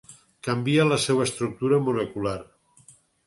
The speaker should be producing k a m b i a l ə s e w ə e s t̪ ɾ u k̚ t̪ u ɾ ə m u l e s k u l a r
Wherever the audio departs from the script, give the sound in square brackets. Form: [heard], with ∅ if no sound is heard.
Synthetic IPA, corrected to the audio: k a m b i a l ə s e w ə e s t̪ ɾ u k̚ t̪ u ɾ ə m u l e [∅] k u l a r